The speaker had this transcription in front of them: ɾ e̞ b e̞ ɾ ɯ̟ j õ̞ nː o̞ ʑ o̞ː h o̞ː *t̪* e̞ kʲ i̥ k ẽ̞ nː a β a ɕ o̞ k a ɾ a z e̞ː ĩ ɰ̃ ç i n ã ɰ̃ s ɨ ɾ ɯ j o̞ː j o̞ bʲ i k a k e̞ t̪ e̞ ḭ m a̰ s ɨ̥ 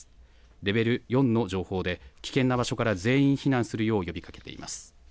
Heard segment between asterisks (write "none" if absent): d̪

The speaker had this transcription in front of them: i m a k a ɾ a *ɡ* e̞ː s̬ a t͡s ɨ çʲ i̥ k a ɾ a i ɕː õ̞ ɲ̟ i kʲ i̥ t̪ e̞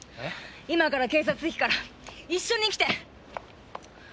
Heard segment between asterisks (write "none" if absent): k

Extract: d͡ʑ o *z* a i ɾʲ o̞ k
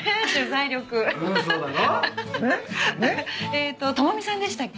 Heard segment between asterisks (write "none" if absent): z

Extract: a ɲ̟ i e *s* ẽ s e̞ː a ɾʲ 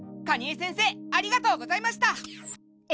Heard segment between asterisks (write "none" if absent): s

